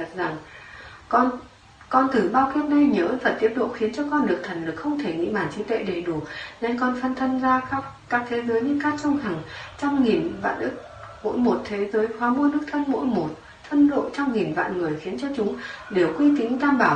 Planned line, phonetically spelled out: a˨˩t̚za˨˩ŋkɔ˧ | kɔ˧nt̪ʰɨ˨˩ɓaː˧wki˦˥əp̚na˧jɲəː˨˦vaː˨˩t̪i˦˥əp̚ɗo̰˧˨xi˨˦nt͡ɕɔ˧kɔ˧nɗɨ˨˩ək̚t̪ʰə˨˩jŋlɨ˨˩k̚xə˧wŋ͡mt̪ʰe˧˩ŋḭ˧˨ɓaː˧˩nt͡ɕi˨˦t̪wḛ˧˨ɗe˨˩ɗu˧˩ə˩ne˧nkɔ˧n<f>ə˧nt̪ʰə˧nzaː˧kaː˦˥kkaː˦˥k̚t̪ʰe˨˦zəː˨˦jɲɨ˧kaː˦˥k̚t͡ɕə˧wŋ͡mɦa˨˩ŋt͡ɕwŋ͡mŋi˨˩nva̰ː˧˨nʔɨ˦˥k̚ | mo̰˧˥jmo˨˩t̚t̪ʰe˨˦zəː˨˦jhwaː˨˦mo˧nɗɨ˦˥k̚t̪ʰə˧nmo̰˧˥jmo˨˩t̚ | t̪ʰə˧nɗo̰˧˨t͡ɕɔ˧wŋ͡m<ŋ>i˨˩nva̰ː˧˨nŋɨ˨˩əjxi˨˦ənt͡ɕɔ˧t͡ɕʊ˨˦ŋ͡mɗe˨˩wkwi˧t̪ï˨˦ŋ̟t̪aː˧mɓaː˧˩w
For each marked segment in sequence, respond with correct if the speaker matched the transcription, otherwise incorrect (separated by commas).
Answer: correct, correct